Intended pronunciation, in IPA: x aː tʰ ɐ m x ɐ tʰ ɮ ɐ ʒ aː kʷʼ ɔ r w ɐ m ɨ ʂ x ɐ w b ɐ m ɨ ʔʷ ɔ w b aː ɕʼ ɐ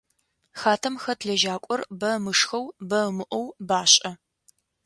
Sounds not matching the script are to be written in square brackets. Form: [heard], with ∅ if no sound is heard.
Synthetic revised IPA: x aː tʰ ɐ m x ɐ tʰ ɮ ɐ ʒ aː kʷʼ ɔ r [b] ɐ m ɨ ʂ x ɐ w b ɐ m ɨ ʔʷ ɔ w b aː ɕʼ ɐ